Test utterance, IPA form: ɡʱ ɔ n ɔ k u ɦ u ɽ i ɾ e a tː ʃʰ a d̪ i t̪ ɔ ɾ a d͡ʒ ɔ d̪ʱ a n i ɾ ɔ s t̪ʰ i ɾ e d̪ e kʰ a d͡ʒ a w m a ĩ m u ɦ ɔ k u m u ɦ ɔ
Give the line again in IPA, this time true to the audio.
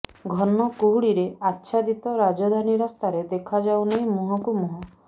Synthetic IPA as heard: ɡʱ ɔ n ɔ k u ɦ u ɽ i ɾ e a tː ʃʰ a d̪ i t̪ ɔ ɾ a d͡ʒ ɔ d̪ʱ a n i ɾ ɔ s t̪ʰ a ɾ e d̪ e kʰ a d͡ʒ a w n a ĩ m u ɦ ɔ k u m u ɦ ɔ

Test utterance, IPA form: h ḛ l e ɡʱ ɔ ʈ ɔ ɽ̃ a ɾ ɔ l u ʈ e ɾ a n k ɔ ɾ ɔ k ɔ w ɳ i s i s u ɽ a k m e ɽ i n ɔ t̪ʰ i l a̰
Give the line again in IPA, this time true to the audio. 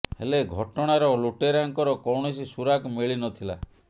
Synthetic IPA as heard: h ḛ l e ɡʱ ɔ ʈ ɔ ɽ̃ a ɾ ɔ l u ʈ e ɾ a ŋ k ɔ ɾ ɔ k ɔ w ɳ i s i s u ɾ a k m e ɭ i n ɔ t̪ʰ i l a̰

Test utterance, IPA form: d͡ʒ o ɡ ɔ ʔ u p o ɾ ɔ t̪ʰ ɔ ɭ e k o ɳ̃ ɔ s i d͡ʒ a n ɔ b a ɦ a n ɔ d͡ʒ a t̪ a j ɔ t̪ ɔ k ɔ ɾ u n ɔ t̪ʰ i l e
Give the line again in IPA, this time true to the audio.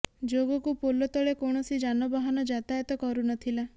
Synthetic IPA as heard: d͡ʒ o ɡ ɔ k u p o l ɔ t̪ ɔ ɭ e k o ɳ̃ ɔ s i d͡ʒ a n ɔ b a ɦ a n ɔ d͡ʒ a t̪ a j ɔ t̪ ɔ k ɔ ɾ u n ɔ t̪ʰ i l a

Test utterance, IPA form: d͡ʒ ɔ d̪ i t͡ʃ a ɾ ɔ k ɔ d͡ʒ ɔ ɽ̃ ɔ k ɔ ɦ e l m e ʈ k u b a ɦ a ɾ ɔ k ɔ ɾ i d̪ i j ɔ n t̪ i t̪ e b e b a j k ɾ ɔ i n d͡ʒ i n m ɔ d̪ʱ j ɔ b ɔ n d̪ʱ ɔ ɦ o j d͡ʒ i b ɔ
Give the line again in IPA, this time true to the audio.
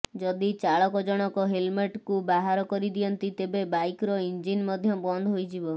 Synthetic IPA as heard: d͡ʒ ɔ d̪ i t͡ʃ a ɭ ɔ k ɔ d͡ʒ ɔ ɽ̃ ɔ k ɔ ɦ e l m e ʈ k u b a ɦ a ɾ ɔ k ɔ ɾ i d̪ i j ɔ n t̪ i t̪ e b e b a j k ɾ ɔ i n d͡ʒ i n m ɔ d̪ʱ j ɔ b ɔ n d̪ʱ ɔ ɦ o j d͡ʒ i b ɔ

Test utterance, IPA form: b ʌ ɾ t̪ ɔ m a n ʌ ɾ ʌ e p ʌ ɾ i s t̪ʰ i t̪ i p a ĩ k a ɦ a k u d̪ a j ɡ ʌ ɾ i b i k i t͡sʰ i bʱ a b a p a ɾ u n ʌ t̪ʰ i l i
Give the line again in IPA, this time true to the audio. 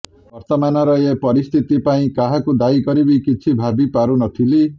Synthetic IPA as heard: b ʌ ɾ t̪ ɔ m a n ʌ ɾ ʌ e p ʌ ɾ i s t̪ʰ i t̪ i p a ĩ k a ɦ a k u d̪ a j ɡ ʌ ɾ i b i k i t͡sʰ i bʱ a b i p a ɾ u n ʌ t̪ʰ i l i

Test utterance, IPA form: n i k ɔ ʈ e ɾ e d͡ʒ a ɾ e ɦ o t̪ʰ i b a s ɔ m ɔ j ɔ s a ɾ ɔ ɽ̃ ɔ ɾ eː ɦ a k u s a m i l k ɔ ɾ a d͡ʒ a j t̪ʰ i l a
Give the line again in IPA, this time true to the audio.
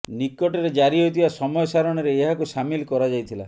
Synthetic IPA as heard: n i k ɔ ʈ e ɾ e d͡ʒ a ɾ i ɦ o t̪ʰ i b a s ɔ m ɔ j ɔ s a ɾ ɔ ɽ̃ ɔ ɾ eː ɦ a k u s a m i l k ɔ ɾ a d͡ʒ a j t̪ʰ i l a

